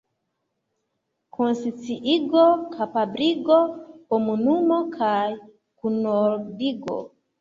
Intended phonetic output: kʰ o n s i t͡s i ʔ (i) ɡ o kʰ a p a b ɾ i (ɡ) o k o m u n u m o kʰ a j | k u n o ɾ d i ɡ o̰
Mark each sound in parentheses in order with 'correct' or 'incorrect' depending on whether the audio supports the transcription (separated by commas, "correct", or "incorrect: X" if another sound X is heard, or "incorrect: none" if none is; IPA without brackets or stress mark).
correct, correct